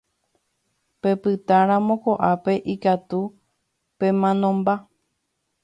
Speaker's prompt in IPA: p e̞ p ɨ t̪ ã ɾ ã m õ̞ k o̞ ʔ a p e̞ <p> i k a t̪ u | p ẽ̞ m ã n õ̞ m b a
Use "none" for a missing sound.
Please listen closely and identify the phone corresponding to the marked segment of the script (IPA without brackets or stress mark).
ʔ